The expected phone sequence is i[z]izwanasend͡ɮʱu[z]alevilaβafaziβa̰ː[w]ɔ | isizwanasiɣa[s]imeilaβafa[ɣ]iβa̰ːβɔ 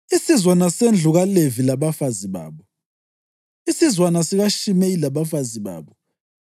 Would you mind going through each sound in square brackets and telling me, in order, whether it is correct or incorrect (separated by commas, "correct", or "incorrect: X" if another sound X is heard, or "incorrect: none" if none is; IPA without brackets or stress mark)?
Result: incorrect: s, incorrect: ɣ, incorrect: β, incorrect: ʃ, incorrect: z